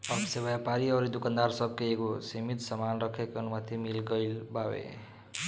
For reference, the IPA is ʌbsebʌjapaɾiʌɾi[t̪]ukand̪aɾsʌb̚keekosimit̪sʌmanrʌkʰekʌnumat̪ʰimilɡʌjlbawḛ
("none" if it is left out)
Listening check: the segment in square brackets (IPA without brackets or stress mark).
d̪